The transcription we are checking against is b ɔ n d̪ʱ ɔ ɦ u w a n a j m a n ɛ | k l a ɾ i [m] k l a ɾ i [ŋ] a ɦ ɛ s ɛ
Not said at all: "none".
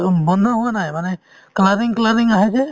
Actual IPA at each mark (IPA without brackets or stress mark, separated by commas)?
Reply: ŋ, ŋ